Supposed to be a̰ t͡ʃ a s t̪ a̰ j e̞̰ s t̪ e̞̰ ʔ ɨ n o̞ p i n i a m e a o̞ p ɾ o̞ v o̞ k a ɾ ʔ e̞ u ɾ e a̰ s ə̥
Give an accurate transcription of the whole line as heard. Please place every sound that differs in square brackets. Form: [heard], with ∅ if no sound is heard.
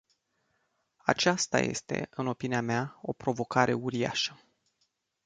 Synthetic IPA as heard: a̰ t͡ʃ a s t̪ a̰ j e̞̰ s t̪ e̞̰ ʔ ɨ n o̞ p i n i a m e a o̞ p ɾ o̞ v o̞ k a ɾ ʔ e̞ u ɾ [i] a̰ [ʃ] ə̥